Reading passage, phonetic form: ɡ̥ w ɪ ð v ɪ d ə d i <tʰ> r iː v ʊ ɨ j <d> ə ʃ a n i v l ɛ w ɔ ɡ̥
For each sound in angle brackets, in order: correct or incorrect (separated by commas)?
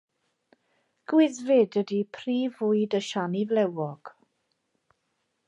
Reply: incorrect, correct